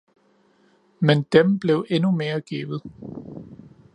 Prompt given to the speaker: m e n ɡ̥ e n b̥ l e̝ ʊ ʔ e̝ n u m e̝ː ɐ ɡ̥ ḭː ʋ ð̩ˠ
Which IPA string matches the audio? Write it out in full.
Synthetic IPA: m e n d̥ e m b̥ l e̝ ʊ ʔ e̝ n u m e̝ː ɐ ɡ̥ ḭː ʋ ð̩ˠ

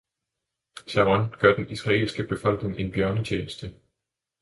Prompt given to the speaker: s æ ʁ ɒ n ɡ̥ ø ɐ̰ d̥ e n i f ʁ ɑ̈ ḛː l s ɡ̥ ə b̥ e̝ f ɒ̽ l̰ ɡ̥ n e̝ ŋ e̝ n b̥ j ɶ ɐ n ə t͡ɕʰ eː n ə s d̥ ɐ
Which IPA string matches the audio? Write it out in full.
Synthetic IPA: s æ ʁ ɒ n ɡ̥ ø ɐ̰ d̥ e n i s ʁ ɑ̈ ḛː l s ɡ̥ ə b̥ e̝ f ɒ̽ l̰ ɡ̥ n e̝ ŋ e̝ n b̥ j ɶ ɐ n ə t͡ɕʰ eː n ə s d̥ ə

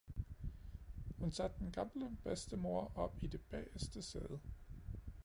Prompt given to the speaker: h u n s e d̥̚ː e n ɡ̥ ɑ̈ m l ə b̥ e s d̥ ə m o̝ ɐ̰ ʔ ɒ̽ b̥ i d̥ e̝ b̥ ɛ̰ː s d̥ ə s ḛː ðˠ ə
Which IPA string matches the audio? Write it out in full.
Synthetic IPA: h u n s æ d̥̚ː e n ɡ̥ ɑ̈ m l ə b̥ e s d̥ ə m o̝ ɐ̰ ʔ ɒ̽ b̥ i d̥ e̝ b̥ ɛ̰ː s d̥ ə s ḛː ðˠ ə

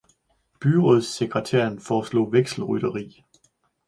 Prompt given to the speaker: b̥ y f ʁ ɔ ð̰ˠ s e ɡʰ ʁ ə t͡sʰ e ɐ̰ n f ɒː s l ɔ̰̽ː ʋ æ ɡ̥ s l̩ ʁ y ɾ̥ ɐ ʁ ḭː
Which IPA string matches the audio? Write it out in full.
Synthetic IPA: b̥ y ʁ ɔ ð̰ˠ s e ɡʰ ʁ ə t͡sʰ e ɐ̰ n f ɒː s l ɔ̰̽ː ʋ e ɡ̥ s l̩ ʁ y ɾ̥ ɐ ʁ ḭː

